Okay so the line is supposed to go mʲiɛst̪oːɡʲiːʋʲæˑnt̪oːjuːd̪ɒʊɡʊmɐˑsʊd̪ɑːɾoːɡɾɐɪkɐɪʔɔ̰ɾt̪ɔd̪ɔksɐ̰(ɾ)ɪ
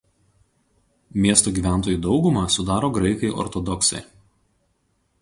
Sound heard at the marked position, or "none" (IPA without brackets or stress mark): none